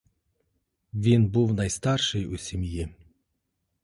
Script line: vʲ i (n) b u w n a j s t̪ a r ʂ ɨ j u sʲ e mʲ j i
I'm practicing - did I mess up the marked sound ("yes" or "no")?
no